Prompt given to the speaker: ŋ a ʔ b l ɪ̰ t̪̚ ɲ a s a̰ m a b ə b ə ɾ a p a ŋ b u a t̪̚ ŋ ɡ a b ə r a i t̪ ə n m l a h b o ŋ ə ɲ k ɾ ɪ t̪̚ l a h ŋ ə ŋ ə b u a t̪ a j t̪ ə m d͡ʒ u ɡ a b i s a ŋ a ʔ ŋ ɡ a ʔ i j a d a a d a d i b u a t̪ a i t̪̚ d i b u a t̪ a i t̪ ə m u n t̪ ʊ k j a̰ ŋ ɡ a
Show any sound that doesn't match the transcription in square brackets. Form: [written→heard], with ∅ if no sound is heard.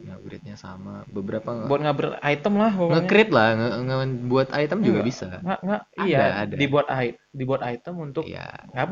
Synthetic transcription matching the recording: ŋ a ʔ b [l→ɾ] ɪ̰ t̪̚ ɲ a s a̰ m a b ə b ə ɾ a p a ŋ b u a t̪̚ ŋ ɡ a b ə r a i t̪ ə [n→∅] m l a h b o ŋ ə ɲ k ɾ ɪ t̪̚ l a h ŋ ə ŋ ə b u a t̪ a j t̪ ə m d͡ʒ u ɡ a b i s a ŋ a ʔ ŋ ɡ a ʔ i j a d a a d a d i b u a t̪ a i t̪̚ d i b u a t̪ a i t̪ ə m u n t̪ ʊ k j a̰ ŋ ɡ a